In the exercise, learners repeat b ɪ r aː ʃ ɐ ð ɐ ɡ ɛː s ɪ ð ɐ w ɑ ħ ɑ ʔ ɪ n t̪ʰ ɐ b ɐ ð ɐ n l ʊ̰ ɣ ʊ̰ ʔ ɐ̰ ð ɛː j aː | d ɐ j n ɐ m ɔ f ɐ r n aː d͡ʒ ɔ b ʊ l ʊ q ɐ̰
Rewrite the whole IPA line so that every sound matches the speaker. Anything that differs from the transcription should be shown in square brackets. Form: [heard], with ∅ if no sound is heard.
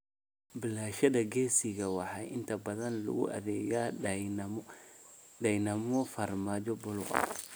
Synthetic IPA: b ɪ [l] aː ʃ ɐ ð ɐ ɡ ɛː s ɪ [ɣ] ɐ w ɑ ħ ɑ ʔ ɪ n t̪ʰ ɐ b ɐ ð ɐ n l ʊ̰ ɣ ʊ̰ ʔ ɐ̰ ð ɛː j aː | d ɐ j n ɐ m ɔ f ɐ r [m] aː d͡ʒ ɔ b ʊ l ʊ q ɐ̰

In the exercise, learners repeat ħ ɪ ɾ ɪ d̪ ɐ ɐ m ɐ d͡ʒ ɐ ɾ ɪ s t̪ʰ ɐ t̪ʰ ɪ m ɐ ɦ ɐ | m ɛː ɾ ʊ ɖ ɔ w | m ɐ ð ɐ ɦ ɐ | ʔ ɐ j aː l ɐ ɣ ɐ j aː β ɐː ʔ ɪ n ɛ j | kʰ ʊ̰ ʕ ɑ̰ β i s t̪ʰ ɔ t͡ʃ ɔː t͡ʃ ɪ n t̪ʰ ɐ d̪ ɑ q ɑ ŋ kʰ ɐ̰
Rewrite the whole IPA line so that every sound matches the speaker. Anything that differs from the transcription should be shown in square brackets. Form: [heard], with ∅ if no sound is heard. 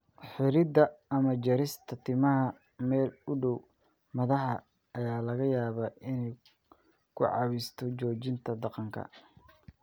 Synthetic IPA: ħ ɪ ɾ ɪ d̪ ɐ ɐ m ɐ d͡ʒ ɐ ɾ ɪ s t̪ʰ ɐ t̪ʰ ɪ m ɐ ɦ ɐ | m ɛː [l] ʊ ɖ ɔ w | m ɐ ð ɐ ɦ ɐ | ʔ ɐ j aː l ɐ ɣ ɐ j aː β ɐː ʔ ɪ n ɛ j | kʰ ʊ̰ ʕ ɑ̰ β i s t̪ʰ ɔ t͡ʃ ɔː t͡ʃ ɪ n t̪ʰ ɐ d̪ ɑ q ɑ ŋ kʰ ɐ̰

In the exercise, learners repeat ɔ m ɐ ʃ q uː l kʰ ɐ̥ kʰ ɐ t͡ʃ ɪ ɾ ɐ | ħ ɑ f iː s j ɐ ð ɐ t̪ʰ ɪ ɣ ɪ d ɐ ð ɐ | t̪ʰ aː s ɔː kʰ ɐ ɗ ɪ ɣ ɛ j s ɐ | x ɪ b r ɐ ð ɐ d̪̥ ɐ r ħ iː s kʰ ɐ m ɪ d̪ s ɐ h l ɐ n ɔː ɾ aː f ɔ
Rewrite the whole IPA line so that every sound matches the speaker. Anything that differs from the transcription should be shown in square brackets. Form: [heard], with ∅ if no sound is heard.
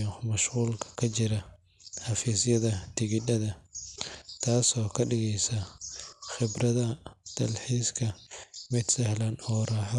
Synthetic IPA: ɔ m ɐ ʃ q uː l kʰ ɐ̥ kʰ ɐ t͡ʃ ɪ ɾ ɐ | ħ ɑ f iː s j ɐ ð ɐ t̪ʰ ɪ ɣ ɪ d ɐ ð ɐ | t̪ʰ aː s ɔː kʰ ɐ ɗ ɪ ɣ ɛ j s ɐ | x ɪ b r ɐ ð ɐ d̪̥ ɐ [l] ħ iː s kʰ ɐ m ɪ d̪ s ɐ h l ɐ n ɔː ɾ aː [ħ] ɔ

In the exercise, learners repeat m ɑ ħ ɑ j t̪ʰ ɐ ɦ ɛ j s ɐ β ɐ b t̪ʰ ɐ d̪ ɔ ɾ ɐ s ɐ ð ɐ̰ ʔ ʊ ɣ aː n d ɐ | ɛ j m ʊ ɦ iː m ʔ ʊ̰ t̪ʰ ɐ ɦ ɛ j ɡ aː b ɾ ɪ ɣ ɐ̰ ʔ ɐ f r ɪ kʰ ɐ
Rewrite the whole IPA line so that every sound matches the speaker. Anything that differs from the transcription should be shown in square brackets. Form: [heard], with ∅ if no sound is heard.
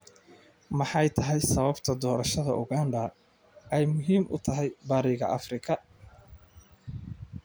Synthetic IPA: m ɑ ħ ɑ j t̪ʰ ɐ ɦ ɛ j s ɐ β ɐ b t̪ʰ ɐ d̪ [ɔː] ɾ ɐ [ʃ] ɐ ð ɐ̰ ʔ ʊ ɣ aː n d ɐ | ɛ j m ʊ ɦ iː m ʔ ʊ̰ t̪ʰ ɐ ɦ ɛ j [b] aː [∅] ɾ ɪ ɣ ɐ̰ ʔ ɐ f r ɪ kʰ ɐ

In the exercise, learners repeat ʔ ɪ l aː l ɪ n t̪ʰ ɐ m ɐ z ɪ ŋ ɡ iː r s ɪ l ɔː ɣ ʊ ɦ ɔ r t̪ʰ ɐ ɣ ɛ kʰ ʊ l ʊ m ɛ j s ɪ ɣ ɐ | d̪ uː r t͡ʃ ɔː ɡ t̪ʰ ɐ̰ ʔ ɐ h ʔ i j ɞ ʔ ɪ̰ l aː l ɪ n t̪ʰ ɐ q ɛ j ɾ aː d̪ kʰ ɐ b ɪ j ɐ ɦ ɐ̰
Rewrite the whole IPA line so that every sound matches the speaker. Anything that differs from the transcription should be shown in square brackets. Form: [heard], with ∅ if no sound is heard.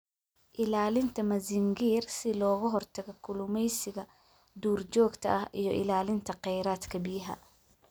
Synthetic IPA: ʔ ɪ l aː l ɪ n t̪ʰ ɐ m ɐ z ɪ ŋ ɡ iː r s ɪ l ɔː ɣ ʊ ɦ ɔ r t̪ʰ ɐ ɣ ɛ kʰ ʊ l ʊ m ɛ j s ɪ ɣ ɐ | d̪ uː r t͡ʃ ɔː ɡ t̪ʰ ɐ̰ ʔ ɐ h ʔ i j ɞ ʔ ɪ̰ l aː l ɪ n t̪ʰ ɐ q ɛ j ɾ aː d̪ kʰ ɐ b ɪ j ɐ ɦ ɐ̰

